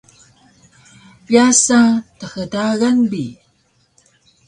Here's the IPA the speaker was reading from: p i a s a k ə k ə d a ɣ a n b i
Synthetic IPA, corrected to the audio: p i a s a t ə x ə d a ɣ a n b i